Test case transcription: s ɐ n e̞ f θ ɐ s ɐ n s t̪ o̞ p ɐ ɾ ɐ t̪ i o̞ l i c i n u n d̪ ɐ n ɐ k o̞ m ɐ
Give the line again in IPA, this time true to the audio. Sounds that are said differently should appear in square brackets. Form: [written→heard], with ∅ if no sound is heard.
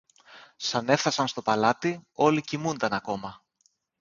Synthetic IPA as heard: s ɐ n e̞ f θ ɐ s ɐ n s t̪ o̞ p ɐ [ɾ→l] ɐ t̪ i o̞ l i c i [n→m] u n d̪ ɐ n ɐ k o̞ m ɐ